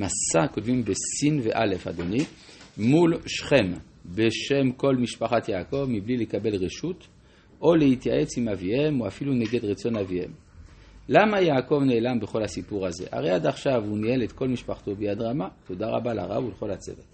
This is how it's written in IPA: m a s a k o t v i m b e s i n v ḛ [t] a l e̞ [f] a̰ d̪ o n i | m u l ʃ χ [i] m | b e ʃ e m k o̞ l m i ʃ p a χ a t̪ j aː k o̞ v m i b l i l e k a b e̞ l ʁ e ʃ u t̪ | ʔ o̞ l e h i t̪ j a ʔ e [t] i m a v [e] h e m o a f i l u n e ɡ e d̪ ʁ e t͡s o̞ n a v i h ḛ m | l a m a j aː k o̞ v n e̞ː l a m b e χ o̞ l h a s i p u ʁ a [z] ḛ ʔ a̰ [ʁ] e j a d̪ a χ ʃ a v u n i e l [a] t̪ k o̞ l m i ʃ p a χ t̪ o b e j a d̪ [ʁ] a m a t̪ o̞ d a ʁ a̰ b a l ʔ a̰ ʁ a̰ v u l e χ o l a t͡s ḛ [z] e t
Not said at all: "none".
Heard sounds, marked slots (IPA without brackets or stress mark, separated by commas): ʔ, f, e, t͡s, i, z, ʁ, e, ʁ, v